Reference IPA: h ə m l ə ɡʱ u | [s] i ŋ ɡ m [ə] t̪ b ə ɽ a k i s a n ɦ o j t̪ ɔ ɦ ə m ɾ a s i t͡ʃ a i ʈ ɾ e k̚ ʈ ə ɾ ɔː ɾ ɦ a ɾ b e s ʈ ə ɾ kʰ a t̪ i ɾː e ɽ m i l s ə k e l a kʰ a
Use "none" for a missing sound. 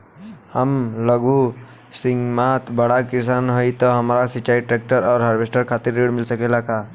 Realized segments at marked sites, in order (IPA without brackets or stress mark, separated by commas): s, a